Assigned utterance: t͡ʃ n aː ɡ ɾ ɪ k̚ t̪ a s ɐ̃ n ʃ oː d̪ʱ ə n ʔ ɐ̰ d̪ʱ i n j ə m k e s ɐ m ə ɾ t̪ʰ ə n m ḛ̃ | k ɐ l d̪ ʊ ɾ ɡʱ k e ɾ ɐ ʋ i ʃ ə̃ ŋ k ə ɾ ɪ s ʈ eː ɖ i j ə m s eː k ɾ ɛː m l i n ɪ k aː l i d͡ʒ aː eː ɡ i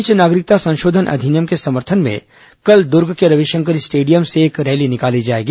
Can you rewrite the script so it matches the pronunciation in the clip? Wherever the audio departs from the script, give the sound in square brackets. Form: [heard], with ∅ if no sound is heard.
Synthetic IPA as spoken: t͡ʃ n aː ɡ ɾ ɪ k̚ t̪ a s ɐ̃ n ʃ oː d̪ʱ ə n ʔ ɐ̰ d̪ʱ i n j ə m k e s ɐ m ə ɾ t̪ʰ ə n m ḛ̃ | k ɐ l d̪ ʊ ɾ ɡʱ k e ɾ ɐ ʋ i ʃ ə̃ ŋ k ə ɾ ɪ s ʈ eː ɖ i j ə m s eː k ɾ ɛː [∅] l i n ɪ k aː l i d͡ʒ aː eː ɡ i